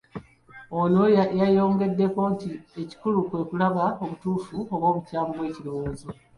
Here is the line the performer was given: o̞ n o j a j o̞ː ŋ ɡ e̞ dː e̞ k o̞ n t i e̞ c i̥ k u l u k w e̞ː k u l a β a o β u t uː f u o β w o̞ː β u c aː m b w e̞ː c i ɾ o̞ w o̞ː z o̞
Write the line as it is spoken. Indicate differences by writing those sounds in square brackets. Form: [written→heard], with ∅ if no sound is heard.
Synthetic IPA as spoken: o̞ n o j a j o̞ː ŋ ɡ e̞ dː e̞ k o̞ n t i e̞ c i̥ k u l u k w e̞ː k u l a β a o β u t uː f u o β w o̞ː β u c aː m b w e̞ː c i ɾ o̞ w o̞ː z o̞